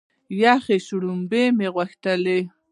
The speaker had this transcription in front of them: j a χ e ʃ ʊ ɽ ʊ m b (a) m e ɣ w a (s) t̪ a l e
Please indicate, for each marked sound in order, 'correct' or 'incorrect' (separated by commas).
incorrect, incorrect